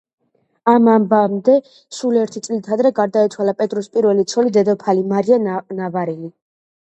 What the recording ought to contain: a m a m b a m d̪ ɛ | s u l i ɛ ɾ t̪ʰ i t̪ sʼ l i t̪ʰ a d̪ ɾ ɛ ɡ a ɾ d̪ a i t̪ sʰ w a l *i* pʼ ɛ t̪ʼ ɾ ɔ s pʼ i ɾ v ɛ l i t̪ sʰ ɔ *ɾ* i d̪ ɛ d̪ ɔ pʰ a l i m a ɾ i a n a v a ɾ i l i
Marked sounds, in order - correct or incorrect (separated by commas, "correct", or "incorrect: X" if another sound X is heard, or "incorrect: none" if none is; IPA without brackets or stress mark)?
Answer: incorrect: a, incorrect: l